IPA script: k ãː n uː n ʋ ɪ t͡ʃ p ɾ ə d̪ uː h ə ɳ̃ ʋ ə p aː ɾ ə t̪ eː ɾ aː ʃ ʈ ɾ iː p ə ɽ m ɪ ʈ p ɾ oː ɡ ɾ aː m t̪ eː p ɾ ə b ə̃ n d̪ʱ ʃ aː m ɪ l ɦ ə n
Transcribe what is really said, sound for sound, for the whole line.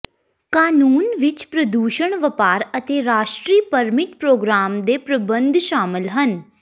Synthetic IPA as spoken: k aː n uː n ʋ ɪ t͡ʃ p ɾ ə d̪ uː ʃ ə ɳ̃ ʋ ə p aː ɾ ə t̪ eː ɾ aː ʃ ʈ ɾ iː p ə ɾ m ɪ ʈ p ɾ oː ɡ ɾ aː m d̪ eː p ɾ ə b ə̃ n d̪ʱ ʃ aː m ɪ l ɦ ə n

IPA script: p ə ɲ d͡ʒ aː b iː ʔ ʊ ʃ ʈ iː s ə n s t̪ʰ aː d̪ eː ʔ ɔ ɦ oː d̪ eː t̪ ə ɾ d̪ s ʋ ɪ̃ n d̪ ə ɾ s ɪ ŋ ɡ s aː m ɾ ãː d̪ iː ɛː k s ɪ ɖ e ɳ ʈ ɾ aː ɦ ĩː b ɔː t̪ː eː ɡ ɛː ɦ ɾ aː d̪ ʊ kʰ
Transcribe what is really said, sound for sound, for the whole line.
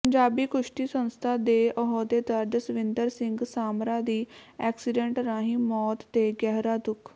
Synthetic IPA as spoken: p ə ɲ d͡ʒ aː b iː k ʊ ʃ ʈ iː s ə n s t̪ʰ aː d̪ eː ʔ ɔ ɦ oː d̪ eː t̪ ə ɾ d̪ s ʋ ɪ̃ n d̪ ə ɾ s ɪ ŋ ɡ s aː m ɾ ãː d̪ iː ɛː k s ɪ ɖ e ɳ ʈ ɾ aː ɦ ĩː m ɔː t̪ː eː ɡ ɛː ɦ ɾ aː d̪ ʊ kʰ

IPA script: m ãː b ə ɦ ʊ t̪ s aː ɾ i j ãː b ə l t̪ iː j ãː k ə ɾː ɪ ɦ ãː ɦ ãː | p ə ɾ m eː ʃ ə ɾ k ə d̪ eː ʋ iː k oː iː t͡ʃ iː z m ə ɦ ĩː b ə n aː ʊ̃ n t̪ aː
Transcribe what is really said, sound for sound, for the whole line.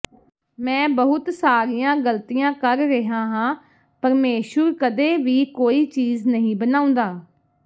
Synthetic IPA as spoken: m ɛ̃ː b ə ɦ ʊ t̪ s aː ɾ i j ãː ɡ ə l t̪ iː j ãː k ə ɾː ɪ ɦ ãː ɦ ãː | p ə ɾ m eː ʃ ə ɾ k ə d̪ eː ʋ iː k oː iː t͡ʃ iː z n ə ɦ ĩː b ə n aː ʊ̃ n d̪ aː

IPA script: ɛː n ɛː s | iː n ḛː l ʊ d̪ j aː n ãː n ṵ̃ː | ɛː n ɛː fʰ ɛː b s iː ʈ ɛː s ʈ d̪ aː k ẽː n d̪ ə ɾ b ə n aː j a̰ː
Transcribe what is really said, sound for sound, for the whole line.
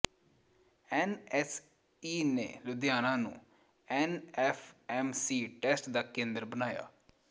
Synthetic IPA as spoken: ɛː n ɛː s | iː n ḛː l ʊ d̪ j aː n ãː n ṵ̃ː | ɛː n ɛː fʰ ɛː m s iː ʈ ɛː s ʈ d̪ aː k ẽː n d̪ ə ɾ b ə n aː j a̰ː

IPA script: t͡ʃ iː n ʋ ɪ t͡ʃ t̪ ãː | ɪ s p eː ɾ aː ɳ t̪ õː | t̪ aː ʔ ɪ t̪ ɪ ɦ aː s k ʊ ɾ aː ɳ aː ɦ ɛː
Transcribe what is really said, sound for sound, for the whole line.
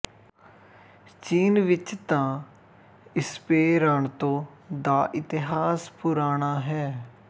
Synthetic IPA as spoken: t͡ʃ iː n ʋ ɪ t͡ʃ t̪ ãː | ɪ s p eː ɾ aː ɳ t̪ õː | d̪ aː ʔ ɪ t̪ ɪ ɦ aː s p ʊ ɾ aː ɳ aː ɦ ɛː

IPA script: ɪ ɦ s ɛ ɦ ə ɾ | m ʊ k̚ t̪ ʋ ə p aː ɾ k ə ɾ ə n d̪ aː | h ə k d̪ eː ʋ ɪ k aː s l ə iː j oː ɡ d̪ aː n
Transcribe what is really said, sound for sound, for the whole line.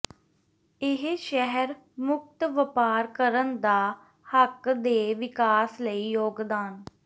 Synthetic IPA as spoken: ɪ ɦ ʃ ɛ ɦ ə ɾ | m ʊ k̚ t̪ ʋ ə p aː ɾ k ə ɾ ə n d̪ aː | h ə k d̪ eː ʋ ɪ k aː s l ə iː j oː ɡ d̪ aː n

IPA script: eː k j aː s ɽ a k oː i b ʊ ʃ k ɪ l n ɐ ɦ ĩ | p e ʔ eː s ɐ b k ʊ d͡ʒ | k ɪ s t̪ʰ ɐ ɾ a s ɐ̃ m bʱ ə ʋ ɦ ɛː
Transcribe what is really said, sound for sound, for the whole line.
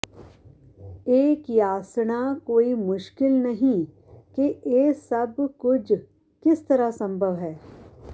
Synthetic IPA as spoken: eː k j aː s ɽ a k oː i m ʊ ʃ k ɪ l n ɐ ɦ ĩ | k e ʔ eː s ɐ b k ʊ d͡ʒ | k ɪ s t̪ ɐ ɾ a s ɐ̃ m bʱ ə ʋ ɦ ɛː

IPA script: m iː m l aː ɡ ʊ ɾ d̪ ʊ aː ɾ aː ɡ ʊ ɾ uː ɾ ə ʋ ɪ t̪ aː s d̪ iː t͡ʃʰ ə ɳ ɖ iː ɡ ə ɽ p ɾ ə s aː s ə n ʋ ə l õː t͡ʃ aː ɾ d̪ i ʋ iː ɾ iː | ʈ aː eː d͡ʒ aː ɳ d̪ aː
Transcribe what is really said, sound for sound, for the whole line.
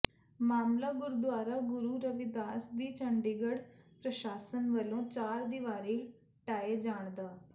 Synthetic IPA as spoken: m aː m l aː ɡ ʊ ɾ d̪ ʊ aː ɾ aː ɡ ʊ ɾ uː ɾ ə ʋ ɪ d̪ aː s d̪ iː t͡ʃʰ ə ɳ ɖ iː ɡ ə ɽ p ɾ ə ʃ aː s ə n ʋ ə l õː t͡ʃ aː ɾ d̪ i ʋ aː ɾ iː | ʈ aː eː d͡ʒ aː ɳ d̪ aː

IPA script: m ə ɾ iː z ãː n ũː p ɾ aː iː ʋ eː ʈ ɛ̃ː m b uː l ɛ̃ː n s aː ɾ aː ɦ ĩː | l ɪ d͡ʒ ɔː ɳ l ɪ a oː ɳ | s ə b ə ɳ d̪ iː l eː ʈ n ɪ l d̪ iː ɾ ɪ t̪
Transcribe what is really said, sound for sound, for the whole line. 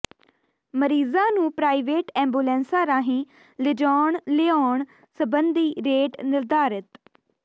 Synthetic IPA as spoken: m ə ɾ iː z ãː n ũː p ɾ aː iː ʋ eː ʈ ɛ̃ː m b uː l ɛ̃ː n s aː ɾ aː ɦ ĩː | l ɪ d͡ʒ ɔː ɳ l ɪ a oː ɳ | s ə b ə n d̪ iː ɾ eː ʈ n ɪ l d̪ aː ɾ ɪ t̪

